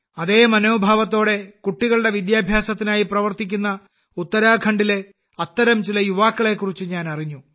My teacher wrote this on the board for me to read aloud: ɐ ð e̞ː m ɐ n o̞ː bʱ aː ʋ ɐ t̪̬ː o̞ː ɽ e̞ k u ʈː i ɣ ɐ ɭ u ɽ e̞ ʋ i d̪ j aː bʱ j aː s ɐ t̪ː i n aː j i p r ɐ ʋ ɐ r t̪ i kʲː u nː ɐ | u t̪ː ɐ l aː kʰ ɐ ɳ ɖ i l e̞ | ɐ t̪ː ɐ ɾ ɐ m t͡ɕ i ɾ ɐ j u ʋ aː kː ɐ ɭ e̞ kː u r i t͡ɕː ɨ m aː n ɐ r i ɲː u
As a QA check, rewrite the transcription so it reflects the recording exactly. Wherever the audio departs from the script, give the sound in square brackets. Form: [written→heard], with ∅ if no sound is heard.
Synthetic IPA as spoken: ɐ ð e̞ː m ɐ n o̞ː bʱ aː ʋ ɐ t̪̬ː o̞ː ɽ e̞ k u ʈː i ɣ ɐ ɭ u ɽ e̞ ʋ i d̪ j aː bʱ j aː s ɐ t̪ː i n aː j i p r ɐ ʋ ɐ r t̪ i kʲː u nː ɐ | u t̪ː ɐ [l→ɾ] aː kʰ ɐ ɳ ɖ i l e̞ | ɐ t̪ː ɐ ɾ ɐ m t͡ɕ i [ɾ→l] ɐ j u ʋ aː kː ɐ ɭ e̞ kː u r i t͡ɕː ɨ [m→ɲ] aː n ɐ r i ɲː u

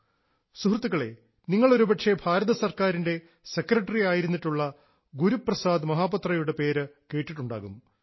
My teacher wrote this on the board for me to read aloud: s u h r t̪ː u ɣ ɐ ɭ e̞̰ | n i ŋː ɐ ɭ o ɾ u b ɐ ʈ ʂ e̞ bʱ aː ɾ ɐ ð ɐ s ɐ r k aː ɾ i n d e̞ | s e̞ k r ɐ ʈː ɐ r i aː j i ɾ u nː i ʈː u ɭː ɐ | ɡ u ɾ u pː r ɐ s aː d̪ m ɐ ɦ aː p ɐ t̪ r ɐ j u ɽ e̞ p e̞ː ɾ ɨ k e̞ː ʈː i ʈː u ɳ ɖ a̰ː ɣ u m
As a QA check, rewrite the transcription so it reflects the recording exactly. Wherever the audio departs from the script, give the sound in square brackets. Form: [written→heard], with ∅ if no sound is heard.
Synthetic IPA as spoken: s u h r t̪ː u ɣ ɐ ɭ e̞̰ | n i ŋː ɐ ɭ o ɾ u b ɐ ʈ ʂ e̞ bʱ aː ɾ ɐ ð ɐ s ɐ r k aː ɾ i n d e̞ | s e̞ k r ɐ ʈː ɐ r i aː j i ɾ u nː i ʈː u ɭː ɐ | ɡ u ɾ u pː r ɐ s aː d̪ m ɐ ɦ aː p ɐ t̪ r ɐ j u ɽ e̞ p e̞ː ɾ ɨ k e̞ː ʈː i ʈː u ɳ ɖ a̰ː ɣ u m

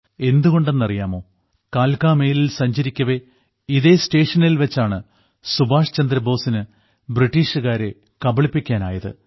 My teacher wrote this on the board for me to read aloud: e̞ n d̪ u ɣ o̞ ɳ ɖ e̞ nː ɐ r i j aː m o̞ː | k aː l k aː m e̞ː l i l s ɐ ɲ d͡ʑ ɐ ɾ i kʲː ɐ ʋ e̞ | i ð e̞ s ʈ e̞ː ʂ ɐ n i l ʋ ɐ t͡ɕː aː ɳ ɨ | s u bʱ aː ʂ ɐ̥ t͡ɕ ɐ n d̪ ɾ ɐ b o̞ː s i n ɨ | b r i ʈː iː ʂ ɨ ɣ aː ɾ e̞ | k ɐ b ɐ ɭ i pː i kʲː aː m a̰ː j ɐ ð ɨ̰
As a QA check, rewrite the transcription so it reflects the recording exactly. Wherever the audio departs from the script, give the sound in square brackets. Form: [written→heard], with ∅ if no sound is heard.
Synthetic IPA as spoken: e̞ n d̪ u ɣ o̞ ɳ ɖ e̞ nː ɐ r i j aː m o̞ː | k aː l k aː m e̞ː l i l s ɐ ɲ d͡ʑ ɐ ɾ i kʲː ɐ ʋ e̞ | i ð e̞ s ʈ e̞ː ʂ ɐ n i l ʋ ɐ t͡ɕː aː ɳ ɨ | s u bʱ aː ʂ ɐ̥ t͡ɕ ɐ n d̪ ɾ ɐ b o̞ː s i n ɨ | b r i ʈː iː ʂ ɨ ɣ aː ɾ e̞ | k ɐ b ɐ ɭ i pː i kʲː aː [m→n] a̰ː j ɐ ð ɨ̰

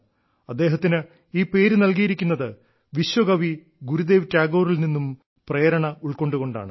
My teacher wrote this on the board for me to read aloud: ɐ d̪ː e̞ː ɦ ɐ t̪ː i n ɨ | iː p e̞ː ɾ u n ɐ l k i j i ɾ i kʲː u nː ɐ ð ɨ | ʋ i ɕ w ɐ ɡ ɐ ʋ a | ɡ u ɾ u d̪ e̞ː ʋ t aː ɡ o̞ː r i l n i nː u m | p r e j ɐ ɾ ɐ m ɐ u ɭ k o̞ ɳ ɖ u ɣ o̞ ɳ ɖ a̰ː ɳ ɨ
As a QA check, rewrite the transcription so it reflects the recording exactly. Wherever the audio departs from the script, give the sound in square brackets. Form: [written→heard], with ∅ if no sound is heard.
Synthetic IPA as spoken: ɐ d̪ː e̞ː ɦ ɐ t̪ː i n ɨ | iː p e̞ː ɾ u n ɐ l k i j i ɾ i kʲː u nː ɐ ð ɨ | ʋ i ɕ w ɐ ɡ ɐ ʋ [a→i] | ɡ u ɾ u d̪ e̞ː ʋ t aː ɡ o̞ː r i l n i nː u m | p r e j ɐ ɾ ɐ [m→ɳ] ɐ u ɭ k o̞ ɳ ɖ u ɣ o̞ ɳ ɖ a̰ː ɳ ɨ

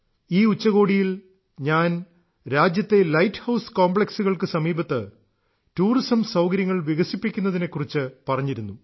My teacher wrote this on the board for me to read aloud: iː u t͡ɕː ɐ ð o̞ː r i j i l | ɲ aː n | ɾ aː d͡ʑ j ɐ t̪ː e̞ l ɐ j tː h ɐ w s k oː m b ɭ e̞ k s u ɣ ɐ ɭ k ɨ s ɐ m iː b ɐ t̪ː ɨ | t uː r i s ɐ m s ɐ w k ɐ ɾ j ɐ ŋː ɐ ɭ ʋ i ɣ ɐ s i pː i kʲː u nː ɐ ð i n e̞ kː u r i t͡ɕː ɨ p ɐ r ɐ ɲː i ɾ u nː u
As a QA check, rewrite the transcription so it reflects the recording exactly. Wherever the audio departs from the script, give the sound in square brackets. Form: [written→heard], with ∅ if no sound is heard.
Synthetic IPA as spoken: iː u t͡ɕː ɐ [ð→ɣ] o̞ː [r→ɽ] i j i l | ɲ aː n | ɾ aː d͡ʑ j ɐ t̪ː e̞ l ɐ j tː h ɐ w s k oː m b ɭ e̞ k s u ɣ ɐ ɭ k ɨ s ɐ m iː b ɐ t̪ː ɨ | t uː r i s ɐ m s ɐ w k ɐ ɾ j ɐ ŋː ɐ ɭ ʋ i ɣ ɐ s i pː i kʲː u nː ɐ ð i n e̞ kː u r i t͡ɕː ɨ p ɐ r ɐ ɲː i ɾ u nː u

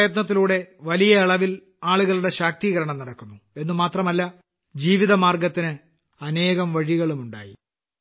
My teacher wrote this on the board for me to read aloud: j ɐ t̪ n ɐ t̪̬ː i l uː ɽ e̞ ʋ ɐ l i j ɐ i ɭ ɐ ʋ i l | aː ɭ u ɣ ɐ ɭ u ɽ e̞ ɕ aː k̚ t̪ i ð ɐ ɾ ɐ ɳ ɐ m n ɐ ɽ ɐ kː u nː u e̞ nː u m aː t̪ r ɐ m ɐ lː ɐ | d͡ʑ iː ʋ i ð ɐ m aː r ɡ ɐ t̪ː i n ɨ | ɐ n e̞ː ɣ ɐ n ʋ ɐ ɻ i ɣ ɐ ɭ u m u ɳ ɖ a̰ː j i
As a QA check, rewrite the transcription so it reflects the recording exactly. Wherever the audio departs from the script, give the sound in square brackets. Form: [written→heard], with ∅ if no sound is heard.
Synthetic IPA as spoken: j ɐ t̪ n ɐ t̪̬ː i l uː ɽ e̞ ʋ ɐ l i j ɐ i ɭ ɐ ʋ i l | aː ɭ u ɣ ɐ ɭ u ɽ e̞ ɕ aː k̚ t̪ i [ð→ɣ] ɐ ɾ ɐ ɳ ɐ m n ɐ ɽ ɐ kː u nː u e̞ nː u m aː t̪ r ɐ m ɐ lː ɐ | d͡ʑ iː ʋ i ð ɐ m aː r ɡ ɐ t̪ː i n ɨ | ɐ n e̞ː ɣ ɐ [n→m] ʋ ɐ ɻ i ɣ ɐ ɭ u m u ɳ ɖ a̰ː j i

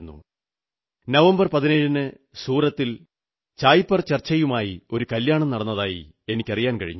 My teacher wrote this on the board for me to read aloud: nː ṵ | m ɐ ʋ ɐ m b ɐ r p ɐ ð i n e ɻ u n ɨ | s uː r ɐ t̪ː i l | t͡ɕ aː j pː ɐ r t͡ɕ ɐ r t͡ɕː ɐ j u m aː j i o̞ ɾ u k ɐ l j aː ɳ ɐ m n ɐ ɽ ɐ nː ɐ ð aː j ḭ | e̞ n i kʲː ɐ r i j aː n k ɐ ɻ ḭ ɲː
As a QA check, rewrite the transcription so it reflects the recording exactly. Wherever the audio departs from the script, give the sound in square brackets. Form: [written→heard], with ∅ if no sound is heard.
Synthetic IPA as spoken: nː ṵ | [m→n] ɐ ʋ ɐ m b ɐ r p ɐ ð i n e ɻ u n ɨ | s uː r ɐ t̪ː i l | t͡ɕ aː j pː ɐ r t͡ɕ ɐ r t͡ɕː ɐ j u m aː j i o̞ ɾ u k ɐ l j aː ɳ ɐ m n ɐ ɽ ɐ nː ɐ ð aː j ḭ | e̞ n i kʲː ɐ r i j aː n k ɐ ɻ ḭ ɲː

